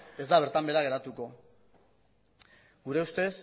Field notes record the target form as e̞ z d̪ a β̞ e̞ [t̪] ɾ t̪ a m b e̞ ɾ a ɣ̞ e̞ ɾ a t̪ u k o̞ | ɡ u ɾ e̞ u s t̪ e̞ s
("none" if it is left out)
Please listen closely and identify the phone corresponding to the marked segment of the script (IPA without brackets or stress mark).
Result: none